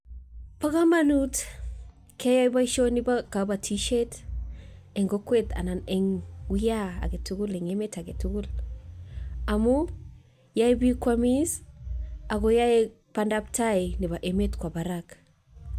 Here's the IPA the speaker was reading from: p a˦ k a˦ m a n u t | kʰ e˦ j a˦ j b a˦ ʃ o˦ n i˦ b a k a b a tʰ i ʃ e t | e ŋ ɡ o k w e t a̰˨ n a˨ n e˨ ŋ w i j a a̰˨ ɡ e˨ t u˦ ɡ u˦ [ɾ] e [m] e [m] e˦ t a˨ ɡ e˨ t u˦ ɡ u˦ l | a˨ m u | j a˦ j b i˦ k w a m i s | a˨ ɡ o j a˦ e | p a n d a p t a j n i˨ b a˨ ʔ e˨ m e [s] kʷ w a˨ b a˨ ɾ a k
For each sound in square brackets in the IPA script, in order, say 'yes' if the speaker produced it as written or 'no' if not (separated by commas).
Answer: no, no, yes, no